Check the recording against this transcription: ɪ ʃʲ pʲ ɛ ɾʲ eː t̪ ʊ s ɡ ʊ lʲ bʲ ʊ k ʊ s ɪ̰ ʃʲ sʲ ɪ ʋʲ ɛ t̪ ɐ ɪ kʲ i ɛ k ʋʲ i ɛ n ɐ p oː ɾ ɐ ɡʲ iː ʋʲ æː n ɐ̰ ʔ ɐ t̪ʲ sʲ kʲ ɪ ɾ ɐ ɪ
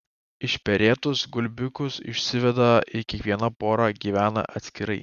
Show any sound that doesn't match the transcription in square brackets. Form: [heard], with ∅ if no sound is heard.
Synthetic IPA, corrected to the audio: ɪ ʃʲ pʲ ɛ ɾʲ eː t̪ ʊ s ɡ ʊ lʲ bʲ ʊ k ʊ s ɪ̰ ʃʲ sʲ ɪ ʋʲ ɛ [d̪] ɐ ɪ kʲ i ɛ k ʋʲ i ɛ n ɐ p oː ɾ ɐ ɡʲ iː ʋʲ æː n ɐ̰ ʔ ɐ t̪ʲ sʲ kʲ ɪ ɾ ɐ ɪ